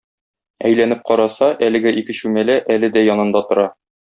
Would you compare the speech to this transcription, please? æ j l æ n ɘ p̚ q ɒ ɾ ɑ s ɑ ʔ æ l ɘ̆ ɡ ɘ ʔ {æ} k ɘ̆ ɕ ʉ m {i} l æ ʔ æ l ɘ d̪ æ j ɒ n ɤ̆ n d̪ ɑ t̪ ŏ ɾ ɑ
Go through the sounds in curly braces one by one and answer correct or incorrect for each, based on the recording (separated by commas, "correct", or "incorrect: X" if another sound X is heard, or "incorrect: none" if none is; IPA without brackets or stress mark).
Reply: incorrect: i, incorrect: æ